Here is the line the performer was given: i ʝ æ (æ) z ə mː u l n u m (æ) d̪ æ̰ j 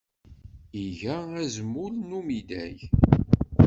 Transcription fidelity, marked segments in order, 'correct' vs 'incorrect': correct, incorrect: i

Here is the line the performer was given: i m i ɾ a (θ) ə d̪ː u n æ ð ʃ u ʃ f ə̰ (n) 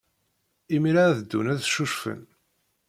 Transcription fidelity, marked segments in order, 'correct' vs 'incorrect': incorrect: ð, correct

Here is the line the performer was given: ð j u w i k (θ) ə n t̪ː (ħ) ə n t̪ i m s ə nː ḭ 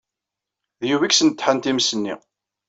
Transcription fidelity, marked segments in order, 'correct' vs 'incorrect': incorrect: s, correct

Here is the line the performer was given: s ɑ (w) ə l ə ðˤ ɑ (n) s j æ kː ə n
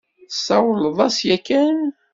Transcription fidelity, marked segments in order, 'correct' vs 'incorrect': correct, incorrect: none

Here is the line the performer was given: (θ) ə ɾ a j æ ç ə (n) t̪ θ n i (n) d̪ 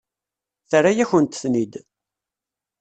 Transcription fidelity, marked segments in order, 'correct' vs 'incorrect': correct, correct, incorrect: none

